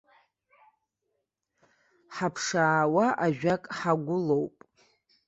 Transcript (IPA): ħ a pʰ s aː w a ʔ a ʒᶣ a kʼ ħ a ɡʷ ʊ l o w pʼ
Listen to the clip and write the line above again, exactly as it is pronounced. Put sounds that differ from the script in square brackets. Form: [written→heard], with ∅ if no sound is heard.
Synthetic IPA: ħ a pʰ [s→ʂ] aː w a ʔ a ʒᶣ a kʼ ħ a ɡʷ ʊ l o w pʼ